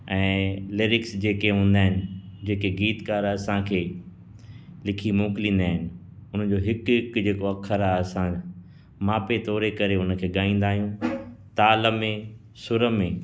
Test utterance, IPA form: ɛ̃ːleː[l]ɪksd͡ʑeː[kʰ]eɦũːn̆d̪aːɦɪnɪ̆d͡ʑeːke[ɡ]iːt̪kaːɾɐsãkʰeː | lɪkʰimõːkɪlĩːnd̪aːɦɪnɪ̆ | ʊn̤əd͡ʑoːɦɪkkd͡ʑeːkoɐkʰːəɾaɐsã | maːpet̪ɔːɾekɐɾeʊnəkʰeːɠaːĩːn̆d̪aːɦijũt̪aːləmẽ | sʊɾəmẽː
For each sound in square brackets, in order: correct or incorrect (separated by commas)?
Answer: incorrect, incorrect, correct